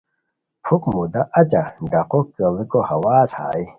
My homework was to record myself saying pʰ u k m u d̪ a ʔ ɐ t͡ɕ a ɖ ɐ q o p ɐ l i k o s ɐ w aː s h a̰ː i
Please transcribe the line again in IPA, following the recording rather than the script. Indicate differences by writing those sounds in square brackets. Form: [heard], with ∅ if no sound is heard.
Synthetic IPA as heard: pʰ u k m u d̪ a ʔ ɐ t͡ɕ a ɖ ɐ q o [k] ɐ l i k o [h] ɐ w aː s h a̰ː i